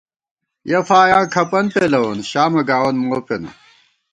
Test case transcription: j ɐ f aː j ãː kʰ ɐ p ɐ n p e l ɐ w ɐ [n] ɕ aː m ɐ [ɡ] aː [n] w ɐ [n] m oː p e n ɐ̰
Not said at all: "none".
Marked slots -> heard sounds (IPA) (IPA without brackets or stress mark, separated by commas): n, ɡ, none, n